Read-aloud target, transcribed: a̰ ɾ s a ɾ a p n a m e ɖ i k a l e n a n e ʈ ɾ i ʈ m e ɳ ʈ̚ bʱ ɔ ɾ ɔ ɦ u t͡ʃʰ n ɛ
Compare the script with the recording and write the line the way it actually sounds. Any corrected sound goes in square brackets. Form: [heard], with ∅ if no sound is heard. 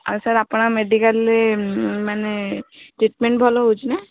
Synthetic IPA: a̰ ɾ s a ɾ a p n a m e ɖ i k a l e [m] a n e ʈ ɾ i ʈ m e ɳ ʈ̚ bʱ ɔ [l] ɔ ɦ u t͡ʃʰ n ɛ

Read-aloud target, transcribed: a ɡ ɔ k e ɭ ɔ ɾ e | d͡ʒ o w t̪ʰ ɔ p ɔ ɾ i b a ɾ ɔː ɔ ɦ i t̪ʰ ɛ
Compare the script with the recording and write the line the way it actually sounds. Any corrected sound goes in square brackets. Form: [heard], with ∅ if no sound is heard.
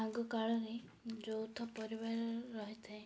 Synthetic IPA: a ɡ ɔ k [a] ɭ ɔ ɾ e | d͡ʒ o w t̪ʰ ɔ p ɔ ɾ i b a ɾ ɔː ɔ ɦ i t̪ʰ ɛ

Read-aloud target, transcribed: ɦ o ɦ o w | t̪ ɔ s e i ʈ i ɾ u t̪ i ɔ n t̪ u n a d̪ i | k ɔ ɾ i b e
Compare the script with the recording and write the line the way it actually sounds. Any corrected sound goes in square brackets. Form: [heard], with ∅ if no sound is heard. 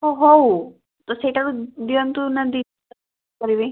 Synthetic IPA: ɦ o ɦ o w | t̪ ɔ s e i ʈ [a] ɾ u [d̪] i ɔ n t̪ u n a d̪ i | k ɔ ɾ i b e

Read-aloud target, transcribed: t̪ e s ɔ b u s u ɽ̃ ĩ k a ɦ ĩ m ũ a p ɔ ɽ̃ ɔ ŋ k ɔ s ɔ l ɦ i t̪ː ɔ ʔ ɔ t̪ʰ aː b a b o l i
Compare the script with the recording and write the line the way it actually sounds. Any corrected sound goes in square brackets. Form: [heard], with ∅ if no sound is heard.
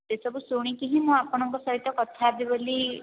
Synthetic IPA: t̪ e s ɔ b u s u ɽ̃ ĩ k [i] ɦ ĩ m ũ a p ɔ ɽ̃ ɔ ŋ k ɔ s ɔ [∅] ɦ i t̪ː ɔ [k] ɔ t̪ʰ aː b [i] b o l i

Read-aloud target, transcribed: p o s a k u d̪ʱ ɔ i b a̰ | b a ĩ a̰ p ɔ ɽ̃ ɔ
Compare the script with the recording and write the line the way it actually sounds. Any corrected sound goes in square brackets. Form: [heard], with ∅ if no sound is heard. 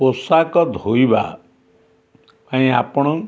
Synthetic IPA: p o s a k [ɔ] d̪ʱ [o] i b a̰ | [p] a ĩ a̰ p ɔ ɽ̃ ɔ

